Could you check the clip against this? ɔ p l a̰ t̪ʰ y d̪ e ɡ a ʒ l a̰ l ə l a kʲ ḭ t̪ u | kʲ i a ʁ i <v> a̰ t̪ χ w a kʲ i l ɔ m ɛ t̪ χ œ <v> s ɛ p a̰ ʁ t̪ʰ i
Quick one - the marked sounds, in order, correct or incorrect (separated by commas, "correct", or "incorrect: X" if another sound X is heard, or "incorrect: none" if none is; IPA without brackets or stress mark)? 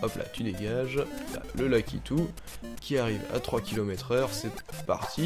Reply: correct, incorrect: ʁ